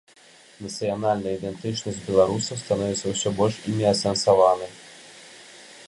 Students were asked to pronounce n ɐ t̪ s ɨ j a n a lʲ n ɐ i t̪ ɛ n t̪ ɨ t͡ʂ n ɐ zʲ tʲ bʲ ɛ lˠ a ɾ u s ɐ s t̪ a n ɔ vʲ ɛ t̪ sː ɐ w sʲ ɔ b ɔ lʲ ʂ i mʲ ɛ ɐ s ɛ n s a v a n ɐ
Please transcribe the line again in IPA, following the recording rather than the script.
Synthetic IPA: n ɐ t̪ s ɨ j a n a lʲ n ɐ i d̪ ɛ n t̪ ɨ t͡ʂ n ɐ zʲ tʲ bʲ ɛ lˠ a ɾ u s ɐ s t̪ a n ɔ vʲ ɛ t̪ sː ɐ w sʲ ɔ b ɔ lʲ ʂ i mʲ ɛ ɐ s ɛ n s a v a n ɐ

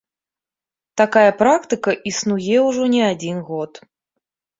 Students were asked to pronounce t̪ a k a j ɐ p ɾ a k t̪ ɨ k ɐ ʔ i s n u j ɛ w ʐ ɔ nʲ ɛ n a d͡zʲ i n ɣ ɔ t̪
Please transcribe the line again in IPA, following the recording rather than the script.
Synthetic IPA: t̪ a k a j ɐ p ɾ a k t̪ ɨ k ɐ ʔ i s n u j ɛ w ʐ ɔ nʲ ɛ a d͡zʲ i n ɣ ɔ t̪

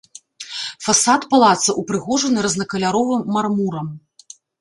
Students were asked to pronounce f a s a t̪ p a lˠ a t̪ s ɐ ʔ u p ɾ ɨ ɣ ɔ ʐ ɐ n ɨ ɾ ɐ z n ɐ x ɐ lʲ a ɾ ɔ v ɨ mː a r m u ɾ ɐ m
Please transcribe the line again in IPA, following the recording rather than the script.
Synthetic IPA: f a s a t̪ p a lˠ a t̪ s ɐ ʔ u p ɾ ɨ ɣ ɔ ʐ ɐ n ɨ ɾ ɐ z n ɐ k ɐ lʲ a ɾ ɔ v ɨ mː a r m u ɾ ɐ m

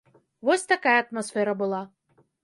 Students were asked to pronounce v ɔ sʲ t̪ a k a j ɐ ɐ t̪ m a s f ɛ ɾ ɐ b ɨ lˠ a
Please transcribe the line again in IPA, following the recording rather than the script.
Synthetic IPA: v ɔ sʲ t̪ a k a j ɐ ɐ t̪ m a s f ɛ ɾ ɐ b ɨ lˠ a

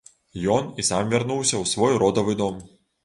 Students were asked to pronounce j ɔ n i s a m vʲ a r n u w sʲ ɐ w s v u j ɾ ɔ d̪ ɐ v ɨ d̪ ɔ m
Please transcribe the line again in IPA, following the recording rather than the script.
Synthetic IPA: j ɔ n i s a m vʲ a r n u w sʲ ɐ w s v ɔ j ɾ ɔ d̪ ɐ v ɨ d̪ ɔ m

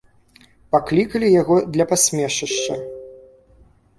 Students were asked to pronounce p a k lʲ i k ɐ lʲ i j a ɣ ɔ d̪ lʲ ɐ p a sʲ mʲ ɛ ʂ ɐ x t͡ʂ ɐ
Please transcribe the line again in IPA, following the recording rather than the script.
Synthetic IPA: p a k lʲ i k ɐ lʲ i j a ɣ ɔ d̪ lʲ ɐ p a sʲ mʲ ɛ ʂ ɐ ʂ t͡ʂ ɐ

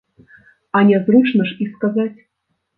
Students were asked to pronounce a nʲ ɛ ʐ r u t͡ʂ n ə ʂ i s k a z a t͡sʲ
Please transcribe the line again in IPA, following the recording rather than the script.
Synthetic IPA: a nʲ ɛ z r u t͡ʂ n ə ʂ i s k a z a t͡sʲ

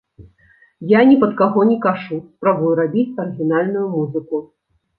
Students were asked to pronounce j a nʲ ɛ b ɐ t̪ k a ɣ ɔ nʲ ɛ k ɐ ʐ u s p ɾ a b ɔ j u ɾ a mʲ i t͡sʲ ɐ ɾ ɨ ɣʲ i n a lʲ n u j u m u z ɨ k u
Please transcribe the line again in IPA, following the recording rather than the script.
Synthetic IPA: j a nʲ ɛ p ɐ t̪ k a ɣ ɔ nʲ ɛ k a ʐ u s p ɾ a b u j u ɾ a bʲ i t͡sʲ ɐ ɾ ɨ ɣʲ i n a lʲ n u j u m u z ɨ k u

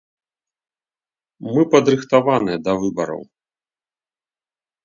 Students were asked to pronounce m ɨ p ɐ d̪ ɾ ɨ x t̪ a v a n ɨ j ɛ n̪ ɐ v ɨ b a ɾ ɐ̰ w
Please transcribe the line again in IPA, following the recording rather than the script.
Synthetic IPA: m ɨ p ɐ d̪ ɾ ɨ x t̪ a v a n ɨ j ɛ d̪ ɐ v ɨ b ɐ ɾ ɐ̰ w

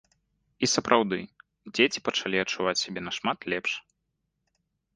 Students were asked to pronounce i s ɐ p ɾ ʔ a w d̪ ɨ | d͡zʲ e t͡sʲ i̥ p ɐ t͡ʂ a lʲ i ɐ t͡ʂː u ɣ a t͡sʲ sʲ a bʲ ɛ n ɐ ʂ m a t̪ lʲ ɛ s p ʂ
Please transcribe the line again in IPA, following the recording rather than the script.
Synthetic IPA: i s ɐ p ɾ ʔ a w d̪ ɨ | d͡zʲ e t͡sʲ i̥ p ɐ t͡ʂ a lʲ i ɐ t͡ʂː u v a t͡sʲ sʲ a bʲ ɛ n ɐ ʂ m a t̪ lʲ ɛ p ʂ

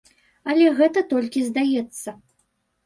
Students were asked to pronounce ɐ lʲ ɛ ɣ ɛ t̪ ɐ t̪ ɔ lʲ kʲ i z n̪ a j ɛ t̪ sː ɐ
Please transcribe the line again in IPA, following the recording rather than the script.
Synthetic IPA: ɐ lʲ ɛ ɣ ɛ t̪ ɐ t̪ ɔ lʲ kʲ i z d̪ a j ɛ t̪ sː ɐ

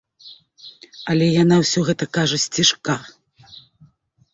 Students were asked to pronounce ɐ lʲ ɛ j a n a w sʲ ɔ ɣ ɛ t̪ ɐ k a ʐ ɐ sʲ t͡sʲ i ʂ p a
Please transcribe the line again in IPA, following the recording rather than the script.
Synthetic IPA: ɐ lʲ ɛ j a n a w sʲ ɔ ɣ ɛ t̪ ɐ k a ʐ ɐ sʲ t͡sʲ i ʂ k a

